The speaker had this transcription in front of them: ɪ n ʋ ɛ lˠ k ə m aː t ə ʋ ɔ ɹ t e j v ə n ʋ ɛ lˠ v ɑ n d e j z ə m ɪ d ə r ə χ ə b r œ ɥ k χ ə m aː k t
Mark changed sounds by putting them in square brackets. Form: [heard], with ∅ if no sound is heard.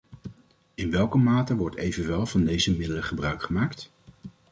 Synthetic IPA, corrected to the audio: ɪ n ʋ ɛ lˠ k ə m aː t ə ʋ ɔ ɹ t e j v ə n ʋ ɛ lˠ v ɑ n d e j z ə m ɪ d ə [l] ə χ ə b r œ ɥ k χ ə m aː k t